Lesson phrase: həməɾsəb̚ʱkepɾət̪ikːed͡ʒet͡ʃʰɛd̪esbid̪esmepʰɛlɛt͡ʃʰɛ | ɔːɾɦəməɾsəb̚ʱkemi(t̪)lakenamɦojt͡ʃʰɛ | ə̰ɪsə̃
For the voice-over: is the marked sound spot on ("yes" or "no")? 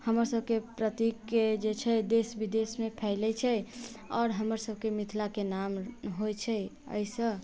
no